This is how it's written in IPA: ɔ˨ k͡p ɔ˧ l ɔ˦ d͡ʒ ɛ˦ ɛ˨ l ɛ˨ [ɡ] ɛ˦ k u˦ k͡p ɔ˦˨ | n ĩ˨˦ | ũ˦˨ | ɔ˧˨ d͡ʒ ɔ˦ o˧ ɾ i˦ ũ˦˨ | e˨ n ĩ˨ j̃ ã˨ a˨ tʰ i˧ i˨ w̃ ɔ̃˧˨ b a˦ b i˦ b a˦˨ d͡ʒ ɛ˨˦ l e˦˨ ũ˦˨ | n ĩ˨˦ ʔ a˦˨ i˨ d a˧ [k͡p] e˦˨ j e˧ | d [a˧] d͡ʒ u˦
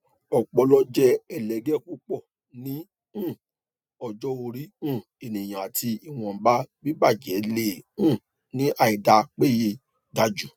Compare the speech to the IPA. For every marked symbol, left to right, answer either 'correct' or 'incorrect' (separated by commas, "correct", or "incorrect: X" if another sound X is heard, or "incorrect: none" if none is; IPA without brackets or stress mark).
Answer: correct, correct, correct